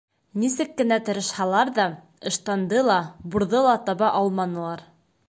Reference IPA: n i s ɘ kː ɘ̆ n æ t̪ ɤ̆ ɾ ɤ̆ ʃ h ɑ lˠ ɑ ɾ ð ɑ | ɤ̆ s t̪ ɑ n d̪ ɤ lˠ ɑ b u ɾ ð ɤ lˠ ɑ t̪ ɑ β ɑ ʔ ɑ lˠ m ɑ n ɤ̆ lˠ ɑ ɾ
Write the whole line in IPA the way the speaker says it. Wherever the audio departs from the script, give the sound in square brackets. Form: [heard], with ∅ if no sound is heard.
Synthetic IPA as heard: n i s ɘ kː ɘ̆ n æ t̪ ɤ̆ ɾ ɤ̆ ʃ h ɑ lˠ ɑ ɾ ð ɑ | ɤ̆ [ʃ] t̪ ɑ n d̪ ɤ lˠ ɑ b u ɾ ð ɤ lˠ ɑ t̪ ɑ β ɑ ʔ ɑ lˠ m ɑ n ɤ̆ lˠ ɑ ɾ